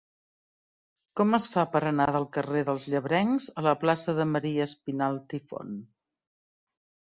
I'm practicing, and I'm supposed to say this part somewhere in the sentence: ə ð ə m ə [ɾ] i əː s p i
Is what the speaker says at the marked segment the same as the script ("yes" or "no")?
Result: yes